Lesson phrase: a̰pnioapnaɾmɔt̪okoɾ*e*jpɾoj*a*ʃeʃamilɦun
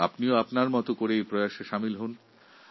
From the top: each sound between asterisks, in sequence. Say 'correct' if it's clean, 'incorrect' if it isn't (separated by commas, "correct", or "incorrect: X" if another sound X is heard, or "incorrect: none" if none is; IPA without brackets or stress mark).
correct, correct